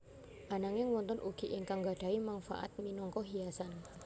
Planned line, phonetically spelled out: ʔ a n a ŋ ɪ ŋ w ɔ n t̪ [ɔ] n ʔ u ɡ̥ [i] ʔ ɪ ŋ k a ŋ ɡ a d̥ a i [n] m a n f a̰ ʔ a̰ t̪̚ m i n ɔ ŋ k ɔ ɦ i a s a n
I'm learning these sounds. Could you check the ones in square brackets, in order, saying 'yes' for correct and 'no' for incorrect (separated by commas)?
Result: yes, yes, no